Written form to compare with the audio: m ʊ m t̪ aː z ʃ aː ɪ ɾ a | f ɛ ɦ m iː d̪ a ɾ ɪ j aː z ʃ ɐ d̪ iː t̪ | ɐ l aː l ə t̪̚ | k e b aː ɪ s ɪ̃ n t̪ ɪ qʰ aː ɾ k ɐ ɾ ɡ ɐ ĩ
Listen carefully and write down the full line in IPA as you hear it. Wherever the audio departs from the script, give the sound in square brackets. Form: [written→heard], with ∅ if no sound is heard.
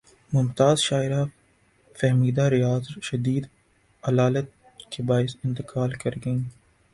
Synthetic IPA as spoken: m ʊ m t̪ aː z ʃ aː ɪ ɾ a | f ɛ ɦ m iː d̪ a ɾ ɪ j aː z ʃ ɐ d̪ iː [t̪→d̪] | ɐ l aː l ə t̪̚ | k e b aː ɪ s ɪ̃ n t̪ ɪ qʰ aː [ɾ→l] k ɐ ɾ ɡ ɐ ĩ